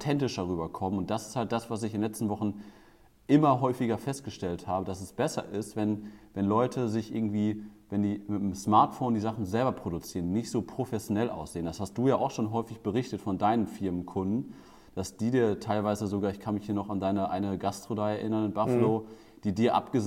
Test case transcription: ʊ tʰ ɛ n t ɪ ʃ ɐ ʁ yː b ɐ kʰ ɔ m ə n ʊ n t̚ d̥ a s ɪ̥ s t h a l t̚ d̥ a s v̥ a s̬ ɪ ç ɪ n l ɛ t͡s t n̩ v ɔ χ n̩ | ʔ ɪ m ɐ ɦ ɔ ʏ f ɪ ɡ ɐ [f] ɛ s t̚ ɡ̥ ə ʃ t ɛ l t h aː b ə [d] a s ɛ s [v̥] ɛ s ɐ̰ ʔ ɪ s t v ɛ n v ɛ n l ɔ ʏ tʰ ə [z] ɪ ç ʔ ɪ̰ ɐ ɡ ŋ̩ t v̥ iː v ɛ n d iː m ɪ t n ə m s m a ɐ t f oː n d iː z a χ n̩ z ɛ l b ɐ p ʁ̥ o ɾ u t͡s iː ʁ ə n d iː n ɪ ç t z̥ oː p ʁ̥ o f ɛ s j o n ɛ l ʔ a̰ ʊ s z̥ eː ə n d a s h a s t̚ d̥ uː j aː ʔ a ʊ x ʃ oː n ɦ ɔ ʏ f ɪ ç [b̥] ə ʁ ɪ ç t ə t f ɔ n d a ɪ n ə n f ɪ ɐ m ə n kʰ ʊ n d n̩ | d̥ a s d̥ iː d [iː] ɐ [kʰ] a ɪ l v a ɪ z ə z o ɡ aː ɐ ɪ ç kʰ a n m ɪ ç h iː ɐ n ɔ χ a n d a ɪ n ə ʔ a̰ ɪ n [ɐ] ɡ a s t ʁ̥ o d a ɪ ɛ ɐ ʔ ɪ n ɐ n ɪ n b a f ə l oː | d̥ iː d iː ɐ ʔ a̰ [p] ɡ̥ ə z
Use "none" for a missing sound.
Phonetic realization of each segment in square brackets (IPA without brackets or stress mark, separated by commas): f, d, b̥, z, b̥, iː, tʰ, ə, p